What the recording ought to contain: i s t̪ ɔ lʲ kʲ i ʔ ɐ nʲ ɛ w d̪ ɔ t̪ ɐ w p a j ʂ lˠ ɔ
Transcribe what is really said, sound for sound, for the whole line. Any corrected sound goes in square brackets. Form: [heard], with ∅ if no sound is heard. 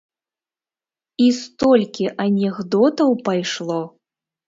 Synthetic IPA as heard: i s t̪ ɔ lʲ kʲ i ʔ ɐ nʲ ɛ [ɣ] d̪ ɔ t̪ ɐ w p a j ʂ lˠ ɔ